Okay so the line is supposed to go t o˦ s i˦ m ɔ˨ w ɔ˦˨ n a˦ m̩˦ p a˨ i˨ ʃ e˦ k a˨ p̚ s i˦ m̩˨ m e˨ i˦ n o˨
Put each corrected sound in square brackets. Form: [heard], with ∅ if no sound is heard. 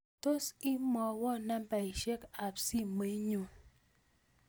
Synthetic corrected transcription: t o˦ s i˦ m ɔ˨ w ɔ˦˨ n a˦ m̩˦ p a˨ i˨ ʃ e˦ k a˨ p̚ s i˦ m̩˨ m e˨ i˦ [ɲ] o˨